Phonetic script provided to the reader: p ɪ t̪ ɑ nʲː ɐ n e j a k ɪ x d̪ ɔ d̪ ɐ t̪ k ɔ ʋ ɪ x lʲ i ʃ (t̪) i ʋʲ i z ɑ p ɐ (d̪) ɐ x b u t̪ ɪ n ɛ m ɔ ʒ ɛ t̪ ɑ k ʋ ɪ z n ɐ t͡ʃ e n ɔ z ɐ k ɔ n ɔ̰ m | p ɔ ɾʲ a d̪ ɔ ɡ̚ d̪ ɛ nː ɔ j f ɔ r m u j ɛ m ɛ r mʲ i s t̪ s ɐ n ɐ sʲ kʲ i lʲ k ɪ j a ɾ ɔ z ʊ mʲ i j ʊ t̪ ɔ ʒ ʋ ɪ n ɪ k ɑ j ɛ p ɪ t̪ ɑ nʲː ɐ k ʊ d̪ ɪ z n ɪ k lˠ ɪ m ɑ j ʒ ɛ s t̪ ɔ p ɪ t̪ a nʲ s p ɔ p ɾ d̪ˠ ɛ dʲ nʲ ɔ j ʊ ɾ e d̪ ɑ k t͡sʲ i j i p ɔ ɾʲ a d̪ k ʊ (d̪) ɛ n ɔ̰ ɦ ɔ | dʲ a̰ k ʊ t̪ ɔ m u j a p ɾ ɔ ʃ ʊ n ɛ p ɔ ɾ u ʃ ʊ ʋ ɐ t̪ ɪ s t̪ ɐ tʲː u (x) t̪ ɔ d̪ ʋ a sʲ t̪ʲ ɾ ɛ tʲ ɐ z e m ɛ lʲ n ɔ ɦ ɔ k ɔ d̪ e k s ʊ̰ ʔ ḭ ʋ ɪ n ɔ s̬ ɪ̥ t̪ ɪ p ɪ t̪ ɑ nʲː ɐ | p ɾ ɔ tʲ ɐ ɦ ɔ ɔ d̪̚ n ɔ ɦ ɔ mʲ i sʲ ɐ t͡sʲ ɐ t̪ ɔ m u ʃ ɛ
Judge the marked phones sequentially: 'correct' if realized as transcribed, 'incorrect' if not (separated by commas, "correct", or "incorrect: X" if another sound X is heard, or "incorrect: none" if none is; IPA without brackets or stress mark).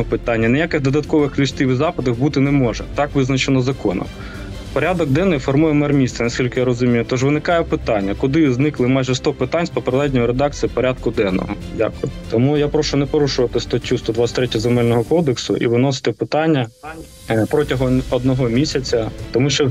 correct, correct, correct, incorrect: s